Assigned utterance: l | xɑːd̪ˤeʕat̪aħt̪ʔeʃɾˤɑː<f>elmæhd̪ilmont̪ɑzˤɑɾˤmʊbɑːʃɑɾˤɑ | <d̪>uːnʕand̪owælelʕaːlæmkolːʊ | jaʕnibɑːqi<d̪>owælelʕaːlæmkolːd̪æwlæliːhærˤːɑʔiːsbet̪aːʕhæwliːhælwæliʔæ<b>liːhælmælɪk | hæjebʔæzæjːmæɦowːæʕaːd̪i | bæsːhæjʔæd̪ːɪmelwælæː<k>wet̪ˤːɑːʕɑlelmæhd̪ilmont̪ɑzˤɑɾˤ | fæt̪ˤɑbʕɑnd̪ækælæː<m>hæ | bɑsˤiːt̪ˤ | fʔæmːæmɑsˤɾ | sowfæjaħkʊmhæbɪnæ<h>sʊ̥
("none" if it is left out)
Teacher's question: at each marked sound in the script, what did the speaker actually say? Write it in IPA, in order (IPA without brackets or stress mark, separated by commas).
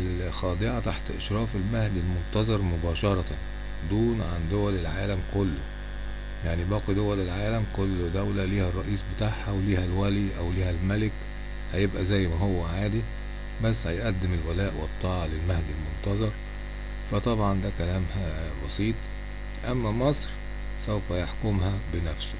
f, d̪, d̪, w, ʔ, m, f